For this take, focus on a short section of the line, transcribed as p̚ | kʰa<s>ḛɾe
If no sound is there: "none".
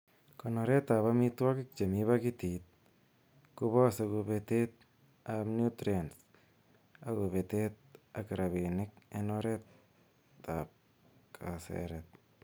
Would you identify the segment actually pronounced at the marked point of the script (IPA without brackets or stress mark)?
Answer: s